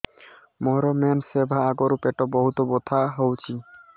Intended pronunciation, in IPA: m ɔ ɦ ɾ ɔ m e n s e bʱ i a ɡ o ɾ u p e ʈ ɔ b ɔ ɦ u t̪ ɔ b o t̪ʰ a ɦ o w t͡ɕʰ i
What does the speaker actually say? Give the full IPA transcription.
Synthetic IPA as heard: m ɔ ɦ ɾ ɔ m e n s e bʱ a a ɡ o ɾ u p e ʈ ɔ b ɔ ɦ u t̪ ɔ b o t̪ʰ a ɦ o w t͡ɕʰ i